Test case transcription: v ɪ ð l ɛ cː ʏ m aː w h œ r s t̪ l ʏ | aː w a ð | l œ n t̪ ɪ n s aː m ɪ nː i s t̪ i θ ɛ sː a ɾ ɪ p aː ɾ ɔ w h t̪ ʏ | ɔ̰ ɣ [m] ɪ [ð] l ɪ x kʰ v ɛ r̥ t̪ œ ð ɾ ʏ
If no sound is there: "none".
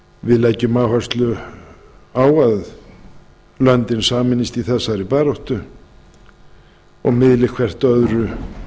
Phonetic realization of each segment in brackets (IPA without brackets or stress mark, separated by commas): m, ð